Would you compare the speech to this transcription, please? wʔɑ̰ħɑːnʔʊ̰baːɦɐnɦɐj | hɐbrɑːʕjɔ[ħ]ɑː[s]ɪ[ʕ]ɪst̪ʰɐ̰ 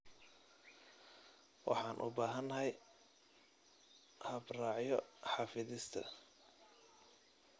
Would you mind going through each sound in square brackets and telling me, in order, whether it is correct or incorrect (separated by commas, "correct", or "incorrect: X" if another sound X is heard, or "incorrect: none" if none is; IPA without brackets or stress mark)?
correct, incorrect: f, incorrect: ð